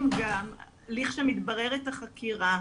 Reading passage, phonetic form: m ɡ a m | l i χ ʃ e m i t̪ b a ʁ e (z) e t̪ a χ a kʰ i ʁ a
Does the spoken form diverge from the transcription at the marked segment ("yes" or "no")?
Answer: yes